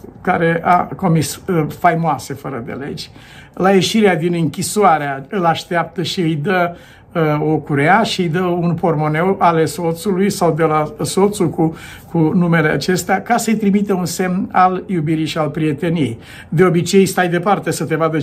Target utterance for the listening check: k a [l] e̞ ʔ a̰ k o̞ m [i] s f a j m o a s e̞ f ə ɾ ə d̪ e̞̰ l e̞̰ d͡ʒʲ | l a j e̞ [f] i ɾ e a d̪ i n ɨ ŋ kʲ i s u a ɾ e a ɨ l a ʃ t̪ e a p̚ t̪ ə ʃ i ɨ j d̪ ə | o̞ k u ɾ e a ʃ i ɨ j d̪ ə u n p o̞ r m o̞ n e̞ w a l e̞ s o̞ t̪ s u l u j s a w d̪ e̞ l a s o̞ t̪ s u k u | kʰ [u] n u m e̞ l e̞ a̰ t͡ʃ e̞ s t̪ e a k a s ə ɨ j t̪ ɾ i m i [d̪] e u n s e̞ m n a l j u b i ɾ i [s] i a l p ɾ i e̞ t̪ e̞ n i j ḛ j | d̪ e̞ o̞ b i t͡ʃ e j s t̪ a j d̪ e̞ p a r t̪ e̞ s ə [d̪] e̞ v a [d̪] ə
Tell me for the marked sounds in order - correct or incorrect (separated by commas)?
incorrect, correct, incorrect, correct, incorrect, incorrect, incorrect, correct